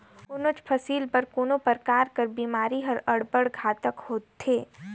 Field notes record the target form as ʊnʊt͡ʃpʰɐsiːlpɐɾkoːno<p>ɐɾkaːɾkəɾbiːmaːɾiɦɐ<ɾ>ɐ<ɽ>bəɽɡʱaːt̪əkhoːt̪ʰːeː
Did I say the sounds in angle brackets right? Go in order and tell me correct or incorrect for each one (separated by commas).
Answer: correct, correct, correct